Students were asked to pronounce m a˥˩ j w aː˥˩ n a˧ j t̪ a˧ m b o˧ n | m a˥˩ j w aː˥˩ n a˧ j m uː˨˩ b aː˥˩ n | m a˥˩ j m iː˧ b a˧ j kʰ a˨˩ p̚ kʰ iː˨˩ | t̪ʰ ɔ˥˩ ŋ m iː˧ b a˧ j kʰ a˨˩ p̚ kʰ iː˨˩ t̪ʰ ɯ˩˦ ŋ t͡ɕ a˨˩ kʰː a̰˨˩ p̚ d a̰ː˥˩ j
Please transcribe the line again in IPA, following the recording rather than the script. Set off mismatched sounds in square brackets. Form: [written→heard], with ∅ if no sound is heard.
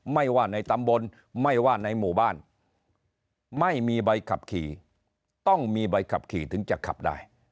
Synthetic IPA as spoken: m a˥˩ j w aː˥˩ n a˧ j t̪ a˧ m b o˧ n | m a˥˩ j w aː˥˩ n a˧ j m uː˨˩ b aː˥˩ n | m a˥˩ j m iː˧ b a˧ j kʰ a˨˩ p̚ kʰ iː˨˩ | [t̪ʰ→t̪] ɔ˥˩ ŋ m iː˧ b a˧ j kʰ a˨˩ p̚ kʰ iː˨˩ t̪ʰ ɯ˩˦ ŋ t͡ɕ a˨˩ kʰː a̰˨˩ p̚ d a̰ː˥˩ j

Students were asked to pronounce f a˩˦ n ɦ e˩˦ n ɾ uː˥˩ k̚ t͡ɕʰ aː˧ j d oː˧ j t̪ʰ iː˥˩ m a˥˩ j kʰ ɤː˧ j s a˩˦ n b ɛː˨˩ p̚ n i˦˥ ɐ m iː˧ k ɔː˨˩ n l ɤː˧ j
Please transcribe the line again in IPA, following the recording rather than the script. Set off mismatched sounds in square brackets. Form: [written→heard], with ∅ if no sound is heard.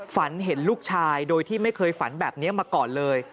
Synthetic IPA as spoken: f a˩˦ n ɦ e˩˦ n [ɾ→l] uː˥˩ k̚ t͡ɕʰ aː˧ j d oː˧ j t̪ʰ iː˥˩ m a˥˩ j kʰ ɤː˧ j [s→f] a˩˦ n b ɛː˨˩ p̚ n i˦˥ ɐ m [iː˧→aː˧] k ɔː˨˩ n l ɤː˧ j

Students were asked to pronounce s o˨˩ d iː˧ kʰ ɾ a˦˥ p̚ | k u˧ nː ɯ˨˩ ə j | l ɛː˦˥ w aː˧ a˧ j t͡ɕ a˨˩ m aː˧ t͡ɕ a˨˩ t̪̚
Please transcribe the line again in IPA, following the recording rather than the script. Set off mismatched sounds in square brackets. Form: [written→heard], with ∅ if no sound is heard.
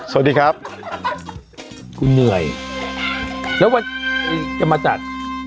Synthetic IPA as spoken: s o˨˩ d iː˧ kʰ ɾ a˦˥ p̚ | k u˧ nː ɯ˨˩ ə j | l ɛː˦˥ w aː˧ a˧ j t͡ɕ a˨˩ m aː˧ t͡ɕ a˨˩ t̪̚

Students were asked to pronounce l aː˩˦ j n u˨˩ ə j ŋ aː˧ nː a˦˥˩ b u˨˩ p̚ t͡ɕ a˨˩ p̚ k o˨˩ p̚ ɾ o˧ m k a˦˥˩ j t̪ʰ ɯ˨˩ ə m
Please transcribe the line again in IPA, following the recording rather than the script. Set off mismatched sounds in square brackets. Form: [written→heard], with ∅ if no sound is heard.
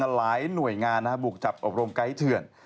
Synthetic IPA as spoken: l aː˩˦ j n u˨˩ ə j ŋ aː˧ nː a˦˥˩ b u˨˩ [p̚→k̚] t͡ɕ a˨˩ p̚ [k→ʔ] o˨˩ p̚ ɾ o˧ m k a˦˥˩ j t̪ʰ ɯ˨˩ ə [m→n]

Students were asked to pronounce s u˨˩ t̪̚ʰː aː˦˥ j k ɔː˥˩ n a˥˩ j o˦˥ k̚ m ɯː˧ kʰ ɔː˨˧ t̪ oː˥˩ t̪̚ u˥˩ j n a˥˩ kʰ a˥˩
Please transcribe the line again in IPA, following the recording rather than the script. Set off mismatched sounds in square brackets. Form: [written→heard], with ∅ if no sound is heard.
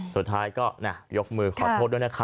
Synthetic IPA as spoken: s u˨˩ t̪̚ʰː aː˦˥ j k ɔː˥˩ n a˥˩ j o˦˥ k̚ m ɯː˧ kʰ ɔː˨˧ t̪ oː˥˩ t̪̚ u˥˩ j n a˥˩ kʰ [a˥˩→a˦˥]

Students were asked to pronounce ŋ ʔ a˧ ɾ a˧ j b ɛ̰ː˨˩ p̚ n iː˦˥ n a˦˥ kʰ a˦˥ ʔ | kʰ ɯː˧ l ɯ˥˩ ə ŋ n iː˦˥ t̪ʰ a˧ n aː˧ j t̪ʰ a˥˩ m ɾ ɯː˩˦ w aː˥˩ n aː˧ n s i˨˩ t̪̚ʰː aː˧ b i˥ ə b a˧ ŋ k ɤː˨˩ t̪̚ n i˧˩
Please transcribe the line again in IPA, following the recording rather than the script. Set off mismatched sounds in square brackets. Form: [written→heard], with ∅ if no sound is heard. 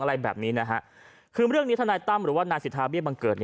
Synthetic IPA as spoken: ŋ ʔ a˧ ɾ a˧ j b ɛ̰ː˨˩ p̚ n iː˦˥ n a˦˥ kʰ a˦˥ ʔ | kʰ ɯː˧ [l→ɾ] ɯ˥˩ ə ŋ n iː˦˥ t̪ʰ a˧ n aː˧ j [t̪ʰ→t̪] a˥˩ m ɾ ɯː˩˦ w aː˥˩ n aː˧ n s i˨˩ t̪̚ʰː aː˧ b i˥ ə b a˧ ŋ k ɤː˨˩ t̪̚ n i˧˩

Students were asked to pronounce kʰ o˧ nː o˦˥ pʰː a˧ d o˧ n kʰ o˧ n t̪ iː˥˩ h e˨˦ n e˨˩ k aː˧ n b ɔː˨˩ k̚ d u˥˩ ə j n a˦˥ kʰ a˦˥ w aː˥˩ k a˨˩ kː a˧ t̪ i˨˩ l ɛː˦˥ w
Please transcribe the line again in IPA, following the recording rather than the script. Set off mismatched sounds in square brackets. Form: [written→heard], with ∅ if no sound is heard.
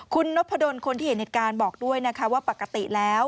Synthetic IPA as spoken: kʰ [o˧→u˧] nː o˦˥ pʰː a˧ d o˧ n kʰ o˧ n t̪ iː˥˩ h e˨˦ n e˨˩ k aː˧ n b ɔː˨˩ k̚ d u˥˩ ə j n a˦˥ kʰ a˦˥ w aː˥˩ [k→p] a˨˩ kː a˧ t̪ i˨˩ l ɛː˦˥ w

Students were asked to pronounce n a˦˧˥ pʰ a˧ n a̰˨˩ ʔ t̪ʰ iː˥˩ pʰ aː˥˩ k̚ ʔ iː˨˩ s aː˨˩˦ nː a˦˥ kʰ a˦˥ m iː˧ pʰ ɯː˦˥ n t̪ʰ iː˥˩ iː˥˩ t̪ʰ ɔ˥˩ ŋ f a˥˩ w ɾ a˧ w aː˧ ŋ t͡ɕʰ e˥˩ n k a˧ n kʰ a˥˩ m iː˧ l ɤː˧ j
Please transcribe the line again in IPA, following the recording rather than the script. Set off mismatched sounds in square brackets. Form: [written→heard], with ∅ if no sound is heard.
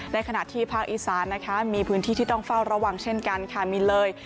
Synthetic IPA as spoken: n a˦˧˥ [pʰ→kʰ] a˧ n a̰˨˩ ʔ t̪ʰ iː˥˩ pʰ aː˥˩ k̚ ʔ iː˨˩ s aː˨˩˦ nː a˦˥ kʰ a˦˥ m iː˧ pʰ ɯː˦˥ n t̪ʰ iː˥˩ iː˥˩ [t̪ʰ→t̪] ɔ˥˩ ŋ f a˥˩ w ɾ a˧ w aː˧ ŋ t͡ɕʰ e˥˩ n k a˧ n kʰ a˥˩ m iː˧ l ɤː˧ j

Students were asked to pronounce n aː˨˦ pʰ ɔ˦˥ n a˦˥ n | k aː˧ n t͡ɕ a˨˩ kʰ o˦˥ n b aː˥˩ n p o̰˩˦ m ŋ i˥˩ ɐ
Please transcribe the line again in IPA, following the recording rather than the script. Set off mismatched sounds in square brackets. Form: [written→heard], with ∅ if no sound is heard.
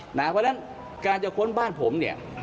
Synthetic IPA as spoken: n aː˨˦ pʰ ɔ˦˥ n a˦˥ n | k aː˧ n t͡ɕ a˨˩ kʰ o˦˥ n b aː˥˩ n [p→pʰ] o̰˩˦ m [ŋ→n] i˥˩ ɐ

